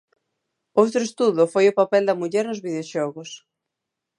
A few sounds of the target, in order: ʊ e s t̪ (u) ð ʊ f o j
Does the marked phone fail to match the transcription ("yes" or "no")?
no